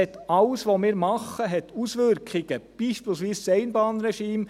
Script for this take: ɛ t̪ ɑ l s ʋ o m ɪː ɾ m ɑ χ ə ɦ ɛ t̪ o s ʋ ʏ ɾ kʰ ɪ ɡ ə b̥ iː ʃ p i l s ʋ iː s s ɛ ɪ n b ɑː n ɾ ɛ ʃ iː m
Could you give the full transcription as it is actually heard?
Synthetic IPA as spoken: ɛ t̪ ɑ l s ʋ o m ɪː ɾ m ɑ χ ə ɦ ɛ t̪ u s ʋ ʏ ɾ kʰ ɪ ɡ ə b̥ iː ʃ p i l s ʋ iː s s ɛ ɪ n b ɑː n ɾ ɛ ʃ iː m